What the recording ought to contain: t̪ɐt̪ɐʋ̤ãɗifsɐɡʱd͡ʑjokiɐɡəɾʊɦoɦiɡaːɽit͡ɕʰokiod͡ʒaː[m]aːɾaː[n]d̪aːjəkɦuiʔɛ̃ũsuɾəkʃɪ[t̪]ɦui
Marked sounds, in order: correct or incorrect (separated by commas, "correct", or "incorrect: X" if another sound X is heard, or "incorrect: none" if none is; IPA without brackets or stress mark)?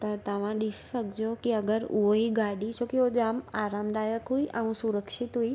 correct, incorrect: m, correct